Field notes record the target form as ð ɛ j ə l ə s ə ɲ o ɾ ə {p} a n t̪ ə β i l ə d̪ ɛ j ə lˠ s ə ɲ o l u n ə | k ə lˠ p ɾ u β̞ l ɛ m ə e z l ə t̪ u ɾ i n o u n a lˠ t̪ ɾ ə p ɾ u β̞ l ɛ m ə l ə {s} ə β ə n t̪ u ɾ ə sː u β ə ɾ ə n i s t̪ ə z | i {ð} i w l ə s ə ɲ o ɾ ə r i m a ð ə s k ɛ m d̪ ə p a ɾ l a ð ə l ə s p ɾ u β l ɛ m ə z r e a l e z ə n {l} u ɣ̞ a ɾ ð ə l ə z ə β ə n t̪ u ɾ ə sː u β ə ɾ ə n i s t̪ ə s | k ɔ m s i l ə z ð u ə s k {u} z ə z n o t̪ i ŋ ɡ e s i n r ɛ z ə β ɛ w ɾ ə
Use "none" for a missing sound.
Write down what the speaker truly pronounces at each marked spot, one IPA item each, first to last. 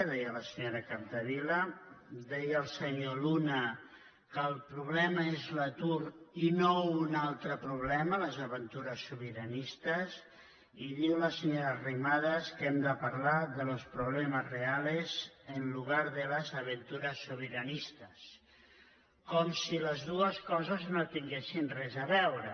k, z, ð, l, ɔ

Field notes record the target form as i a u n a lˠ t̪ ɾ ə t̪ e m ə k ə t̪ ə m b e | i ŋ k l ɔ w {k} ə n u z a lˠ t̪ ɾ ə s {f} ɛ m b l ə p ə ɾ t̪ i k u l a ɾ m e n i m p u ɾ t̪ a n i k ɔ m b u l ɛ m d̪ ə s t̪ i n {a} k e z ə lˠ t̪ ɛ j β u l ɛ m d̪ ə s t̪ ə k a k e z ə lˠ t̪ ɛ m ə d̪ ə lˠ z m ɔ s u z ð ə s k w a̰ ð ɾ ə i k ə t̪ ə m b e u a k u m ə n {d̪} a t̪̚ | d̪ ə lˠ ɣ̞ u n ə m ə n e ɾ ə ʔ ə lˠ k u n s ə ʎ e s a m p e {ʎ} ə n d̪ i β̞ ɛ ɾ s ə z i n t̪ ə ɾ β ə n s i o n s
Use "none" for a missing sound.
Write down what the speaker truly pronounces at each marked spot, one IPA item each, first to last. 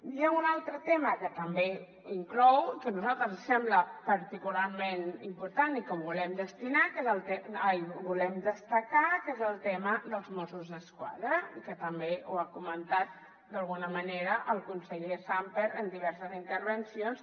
k, s, a, t̪, ɾ

